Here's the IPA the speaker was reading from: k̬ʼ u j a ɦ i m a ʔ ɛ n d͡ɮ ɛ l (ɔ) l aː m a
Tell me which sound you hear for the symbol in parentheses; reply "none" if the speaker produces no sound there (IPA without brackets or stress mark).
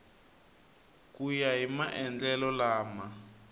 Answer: ɔ